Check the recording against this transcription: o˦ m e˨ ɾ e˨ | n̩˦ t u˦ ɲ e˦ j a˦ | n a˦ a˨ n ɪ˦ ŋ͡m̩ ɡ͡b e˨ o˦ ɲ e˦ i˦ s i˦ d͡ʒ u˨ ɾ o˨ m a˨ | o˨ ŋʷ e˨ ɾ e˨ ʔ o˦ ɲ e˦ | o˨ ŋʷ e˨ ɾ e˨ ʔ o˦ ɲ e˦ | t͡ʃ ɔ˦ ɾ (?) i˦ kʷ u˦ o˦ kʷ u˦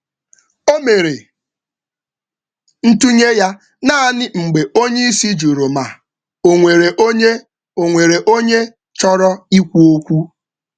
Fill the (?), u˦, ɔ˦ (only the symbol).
ɔ˦